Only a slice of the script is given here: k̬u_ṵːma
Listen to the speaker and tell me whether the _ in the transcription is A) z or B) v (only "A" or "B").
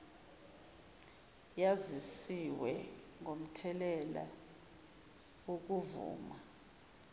B